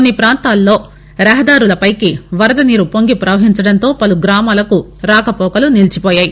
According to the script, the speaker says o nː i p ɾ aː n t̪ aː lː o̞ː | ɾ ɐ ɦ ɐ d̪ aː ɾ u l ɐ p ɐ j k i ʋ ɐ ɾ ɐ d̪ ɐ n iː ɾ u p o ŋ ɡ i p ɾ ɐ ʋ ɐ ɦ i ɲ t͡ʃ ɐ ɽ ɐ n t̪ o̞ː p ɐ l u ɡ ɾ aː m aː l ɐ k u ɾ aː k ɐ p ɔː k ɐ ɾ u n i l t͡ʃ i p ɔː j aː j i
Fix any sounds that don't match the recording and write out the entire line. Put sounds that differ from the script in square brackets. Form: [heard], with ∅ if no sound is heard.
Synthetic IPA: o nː i p ɾ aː n t̪ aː lː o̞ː | ɾ ɐ ɦ ɐ d̪ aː ɾ u l ɐ p ɐ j k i ʋ ɐ ɾ ɐ d̪ ɐ n iː ɾ u p o ŋ ɡ i p ɾ ɐ ʋ ɐ ɦ i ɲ t͡ʃ ɐ ɽ ɐ n t̪ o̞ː p ɐ l u ɡ ɾ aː m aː l ɐ k u ɾ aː k ɐ p ɔː k ɐ [l] u n i l t͡ʃ i p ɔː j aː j i